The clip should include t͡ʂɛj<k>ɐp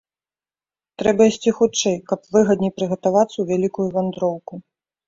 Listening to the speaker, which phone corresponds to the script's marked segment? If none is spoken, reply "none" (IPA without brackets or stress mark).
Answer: k